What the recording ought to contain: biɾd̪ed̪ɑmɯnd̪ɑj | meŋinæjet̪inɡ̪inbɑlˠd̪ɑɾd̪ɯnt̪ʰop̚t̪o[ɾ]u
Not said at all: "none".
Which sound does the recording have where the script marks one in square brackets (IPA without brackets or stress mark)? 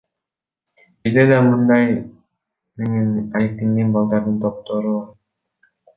ɾ